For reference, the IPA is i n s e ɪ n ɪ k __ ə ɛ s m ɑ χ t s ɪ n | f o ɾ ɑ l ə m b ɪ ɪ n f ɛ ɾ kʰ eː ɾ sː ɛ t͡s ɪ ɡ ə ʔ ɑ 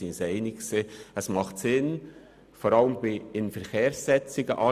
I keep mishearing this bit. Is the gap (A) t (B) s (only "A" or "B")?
B